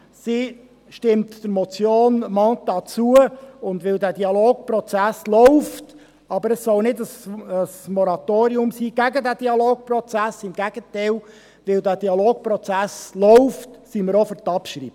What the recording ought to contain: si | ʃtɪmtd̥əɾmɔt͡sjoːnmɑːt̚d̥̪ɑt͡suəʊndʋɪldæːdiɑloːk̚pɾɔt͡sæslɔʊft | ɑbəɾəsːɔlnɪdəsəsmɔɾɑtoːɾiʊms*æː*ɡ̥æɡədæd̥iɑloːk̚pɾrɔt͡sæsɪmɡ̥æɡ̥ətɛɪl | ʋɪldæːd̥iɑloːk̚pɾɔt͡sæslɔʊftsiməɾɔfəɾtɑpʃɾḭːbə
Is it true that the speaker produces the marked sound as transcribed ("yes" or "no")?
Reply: no